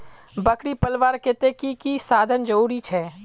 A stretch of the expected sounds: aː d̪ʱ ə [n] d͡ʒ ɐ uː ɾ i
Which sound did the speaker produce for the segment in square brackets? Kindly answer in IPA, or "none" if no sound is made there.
n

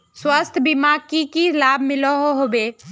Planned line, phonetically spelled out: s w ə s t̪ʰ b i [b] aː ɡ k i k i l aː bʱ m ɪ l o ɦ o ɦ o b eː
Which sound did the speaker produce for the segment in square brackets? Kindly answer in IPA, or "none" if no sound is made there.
m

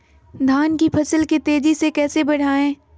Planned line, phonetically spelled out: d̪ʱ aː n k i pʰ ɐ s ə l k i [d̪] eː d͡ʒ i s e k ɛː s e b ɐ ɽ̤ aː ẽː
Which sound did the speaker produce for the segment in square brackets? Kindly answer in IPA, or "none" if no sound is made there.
t̪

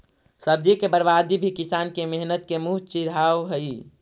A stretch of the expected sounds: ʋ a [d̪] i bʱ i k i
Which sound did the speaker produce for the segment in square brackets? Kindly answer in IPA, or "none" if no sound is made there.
d̪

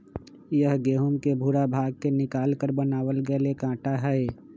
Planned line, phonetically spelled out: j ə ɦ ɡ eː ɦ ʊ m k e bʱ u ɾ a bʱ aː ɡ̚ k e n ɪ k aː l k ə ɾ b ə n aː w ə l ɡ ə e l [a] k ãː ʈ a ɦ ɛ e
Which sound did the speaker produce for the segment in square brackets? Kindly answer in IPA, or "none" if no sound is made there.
e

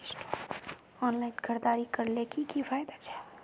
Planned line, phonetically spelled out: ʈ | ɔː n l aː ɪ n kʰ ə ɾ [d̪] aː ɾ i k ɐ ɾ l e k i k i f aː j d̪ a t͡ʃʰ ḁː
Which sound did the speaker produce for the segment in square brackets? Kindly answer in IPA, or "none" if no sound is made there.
d̪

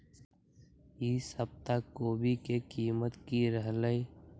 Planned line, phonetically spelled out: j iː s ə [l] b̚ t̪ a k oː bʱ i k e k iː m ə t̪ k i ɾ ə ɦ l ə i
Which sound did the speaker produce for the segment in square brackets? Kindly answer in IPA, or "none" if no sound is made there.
none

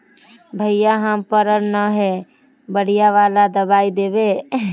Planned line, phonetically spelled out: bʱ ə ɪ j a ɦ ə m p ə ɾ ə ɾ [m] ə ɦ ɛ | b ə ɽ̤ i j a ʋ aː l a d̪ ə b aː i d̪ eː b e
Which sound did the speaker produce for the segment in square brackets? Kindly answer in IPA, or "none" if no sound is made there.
n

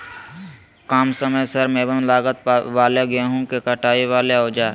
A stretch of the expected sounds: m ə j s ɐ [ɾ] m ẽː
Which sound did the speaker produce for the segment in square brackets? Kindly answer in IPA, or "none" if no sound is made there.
ɾ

